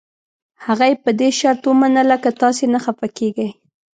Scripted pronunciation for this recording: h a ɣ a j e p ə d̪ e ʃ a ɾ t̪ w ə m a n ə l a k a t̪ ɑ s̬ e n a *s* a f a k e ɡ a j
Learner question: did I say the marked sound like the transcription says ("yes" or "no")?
no